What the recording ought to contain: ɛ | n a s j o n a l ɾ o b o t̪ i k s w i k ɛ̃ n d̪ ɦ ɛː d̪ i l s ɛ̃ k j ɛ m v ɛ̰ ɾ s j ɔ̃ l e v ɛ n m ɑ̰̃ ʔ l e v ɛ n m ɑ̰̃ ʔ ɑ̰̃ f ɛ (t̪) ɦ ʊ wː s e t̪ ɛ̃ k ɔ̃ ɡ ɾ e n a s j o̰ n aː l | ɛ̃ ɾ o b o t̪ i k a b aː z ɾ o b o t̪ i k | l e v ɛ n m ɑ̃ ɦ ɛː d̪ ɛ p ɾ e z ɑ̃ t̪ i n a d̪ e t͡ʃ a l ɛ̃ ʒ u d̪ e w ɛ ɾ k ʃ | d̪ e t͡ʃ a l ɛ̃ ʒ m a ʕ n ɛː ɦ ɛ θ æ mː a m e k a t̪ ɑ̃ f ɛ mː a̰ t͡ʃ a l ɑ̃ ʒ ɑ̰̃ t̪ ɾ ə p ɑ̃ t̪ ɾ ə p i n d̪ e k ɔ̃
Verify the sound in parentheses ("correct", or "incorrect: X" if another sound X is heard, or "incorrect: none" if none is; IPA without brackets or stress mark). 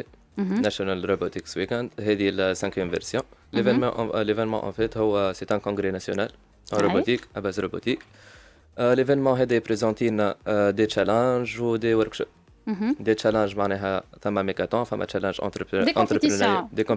correct